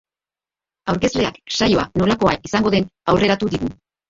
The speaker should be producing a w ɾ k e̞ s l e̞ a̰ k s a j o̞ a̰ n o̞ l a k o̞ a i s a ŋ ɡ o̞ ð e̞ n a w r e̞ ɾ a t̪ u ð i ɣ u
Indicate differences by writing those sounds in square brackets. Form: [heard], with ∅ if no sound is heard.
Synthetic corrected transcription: a w ɾ k e̞ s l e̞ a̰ k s a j o̞ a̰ n o̞ l a k o̞ a i s a ŋ ɡ o̞ ð e̞ n a w r e̞ ɾ a t̪ u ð i ɣ u